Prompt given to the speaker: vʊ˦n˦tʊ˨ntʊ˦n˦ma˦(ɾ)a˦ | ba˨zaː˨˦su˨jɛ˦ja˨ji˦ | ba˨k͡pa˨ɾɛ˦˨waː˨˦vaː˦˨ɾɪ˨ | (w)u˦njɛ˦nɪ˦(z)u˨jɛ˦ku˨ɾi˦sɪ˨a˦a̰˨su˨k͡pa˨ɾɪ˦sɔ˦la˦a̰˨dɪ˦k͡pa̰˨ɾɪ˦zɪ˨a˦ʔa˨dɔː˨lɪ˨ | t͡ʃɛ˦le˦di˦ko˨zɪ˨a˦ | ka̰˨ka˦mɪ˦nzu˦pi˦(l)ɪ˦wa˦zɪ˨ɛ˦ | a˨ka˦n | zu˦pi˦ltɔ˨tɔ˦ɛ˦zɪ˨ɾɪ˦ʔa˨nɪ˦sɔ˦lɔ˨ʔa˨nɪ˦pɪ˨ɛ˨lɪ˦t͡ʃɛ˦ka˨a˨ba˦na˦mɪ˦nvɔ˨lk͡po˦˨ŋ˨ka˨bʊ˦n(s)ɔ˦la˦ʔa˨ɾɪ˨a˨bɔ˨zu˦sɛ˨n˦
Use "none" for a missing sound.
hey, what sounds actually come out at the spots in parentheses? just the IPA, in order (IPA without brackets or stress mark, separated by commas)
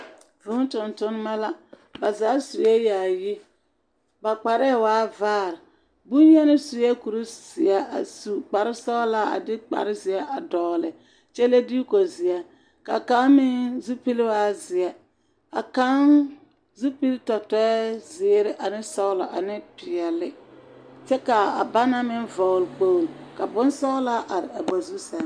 l, b, s, l, s